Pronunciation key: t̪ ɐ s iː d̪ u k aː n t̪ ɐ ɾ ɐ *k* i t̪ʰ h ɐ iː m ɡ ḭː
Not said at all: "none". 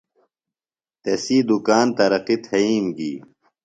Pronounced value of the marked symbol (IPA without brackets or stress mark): q